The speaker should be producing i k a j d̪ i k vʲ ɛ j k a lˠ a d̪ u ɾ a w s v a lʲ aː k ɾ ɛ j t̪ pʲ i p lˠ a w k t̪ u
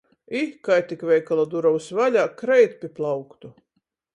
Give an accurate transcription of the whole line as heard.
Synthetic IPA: i k a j t̪ i k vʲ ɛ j k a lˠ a d̪ u ɾ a w s v a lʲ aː k ɾ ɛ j t̪ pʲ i p lˠ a w k t̪ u

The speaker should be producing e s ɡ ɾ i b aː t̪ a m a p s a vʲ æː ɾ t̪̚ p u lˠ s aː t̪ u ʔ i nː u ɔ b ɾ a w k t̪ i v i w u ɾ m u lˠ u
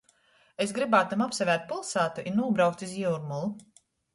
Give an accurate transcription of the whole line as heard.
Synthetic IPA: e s ɡ ɾ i b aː t̪ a m a p s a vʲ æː ɾ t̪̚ p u lˠ s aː t̪ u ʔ i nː u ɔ b ɾ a w k t̪ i z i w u ɾ m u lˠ u

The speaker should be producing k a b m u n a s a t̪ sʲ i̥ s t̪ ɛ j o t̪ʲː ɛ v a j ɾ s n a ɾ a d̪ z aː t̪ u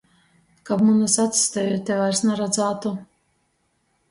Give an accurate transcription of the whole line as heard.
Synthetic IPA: k a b m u n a s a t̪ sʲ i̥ s t̪ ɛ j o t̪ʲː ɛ v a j ɾ s n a ɾ a d̪ z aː t̪ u

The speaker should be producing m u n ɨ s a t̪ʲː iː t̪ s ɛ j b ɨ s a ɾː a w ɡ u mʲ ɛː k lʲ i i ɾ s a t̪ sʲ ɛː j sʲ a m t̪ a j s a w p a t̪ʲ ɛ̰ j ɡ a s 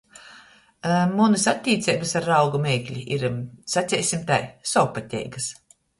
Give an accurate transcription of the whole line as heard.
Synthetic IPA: m u n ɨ s a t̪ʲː iː t̪ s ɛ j b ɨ s a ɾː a w ɡ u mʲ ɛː k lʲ i i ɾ s a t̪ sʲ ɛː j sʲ i m t̪ a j s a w p a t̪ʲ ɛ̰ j ɡ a s

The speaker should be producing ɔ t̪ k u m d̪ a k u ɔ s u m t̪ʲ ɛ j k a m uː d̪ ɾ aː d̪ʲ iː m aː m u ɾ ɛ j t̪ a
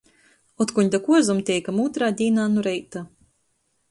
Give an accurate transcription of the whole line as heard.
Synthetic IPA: ɔ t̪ k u ɲ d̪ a k u ɔ z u m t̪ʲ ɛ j k a m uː t̪ ɾ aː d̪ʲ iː n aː n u ɾ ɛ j t̪ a

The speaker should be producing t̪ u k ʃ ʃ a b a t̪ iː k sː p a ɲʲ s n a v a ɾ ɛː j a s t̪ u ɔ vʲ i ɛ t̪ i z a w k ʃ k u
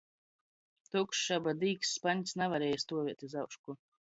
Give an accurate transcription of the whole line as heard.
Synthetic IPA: t̪ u k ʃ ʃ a b a d̪ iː k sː p a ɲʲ s n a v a ɾ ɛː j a s t̪ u ɔ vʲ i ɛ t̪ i z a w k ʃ k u

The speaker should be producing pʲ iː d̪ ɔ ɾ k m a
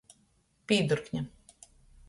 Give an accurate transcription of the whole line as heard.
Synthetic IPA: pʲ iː d̪ u ɾ k ɲ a

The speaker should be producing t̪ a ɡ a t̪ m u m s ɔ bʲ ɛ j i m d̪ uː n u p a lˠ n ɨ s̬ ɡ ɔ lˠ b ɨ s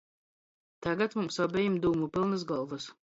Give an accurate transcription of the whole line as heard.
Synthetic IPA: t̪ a ɡ a t̪ m u m s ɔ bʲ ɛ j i m d̪ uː m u p i lˠ n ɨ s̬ ɡ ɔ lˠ v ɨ s

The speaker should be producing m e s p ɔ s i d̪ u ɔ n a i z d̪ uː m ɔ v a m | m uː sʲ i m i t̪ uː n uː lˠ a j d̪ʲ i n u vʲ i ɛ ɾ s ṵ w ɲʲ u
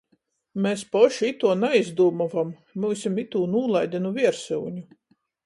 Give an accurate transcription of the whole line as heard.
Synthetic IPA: m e s p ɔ ʃ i t̪ u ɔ n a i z d̪ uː m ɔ v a m | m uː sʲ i m i t̪ uː n uː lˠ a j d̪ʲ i n u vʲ i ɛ ɾ s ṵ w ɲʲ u

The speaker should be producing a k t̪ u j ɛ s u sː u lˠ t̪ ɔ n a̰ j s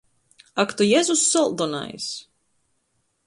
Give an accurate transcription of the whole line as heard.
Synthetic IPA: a k t̪ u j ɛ z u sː ɔ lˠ d̪ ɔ n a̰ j s

